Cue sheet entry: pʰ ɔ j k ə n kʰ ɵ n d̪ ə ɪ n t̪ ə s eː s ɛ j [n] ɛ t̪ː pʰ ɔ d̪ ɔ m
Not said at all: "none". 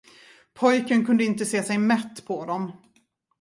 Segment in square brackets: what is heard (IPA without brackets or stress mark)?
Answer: m